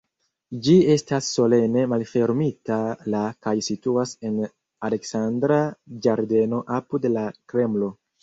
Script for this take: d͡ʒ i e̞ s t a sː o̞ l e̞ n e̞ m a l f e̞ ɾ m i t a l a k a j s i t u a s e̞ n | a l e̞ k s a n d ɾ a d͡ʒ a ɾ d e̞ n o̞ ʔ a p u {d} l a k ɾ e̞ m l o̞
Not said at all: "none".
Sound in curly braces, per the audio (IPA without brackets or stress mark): d